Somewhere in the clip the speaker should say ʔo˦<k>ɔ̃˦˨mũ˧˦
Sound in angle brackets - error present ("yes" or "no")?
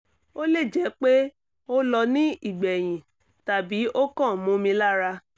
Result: no